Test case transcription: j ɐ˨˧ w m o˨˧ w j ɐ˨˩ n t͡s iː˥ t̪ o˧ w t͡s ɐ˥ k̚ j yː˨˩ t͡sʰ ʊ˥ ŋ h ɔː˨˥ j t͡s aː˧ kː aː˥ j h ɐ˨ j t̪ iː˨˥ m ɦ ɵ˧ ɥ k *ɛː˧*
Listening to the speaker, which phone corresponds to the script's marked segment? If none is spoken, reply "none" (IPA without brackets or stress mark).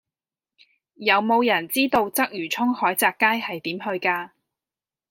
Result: aː˧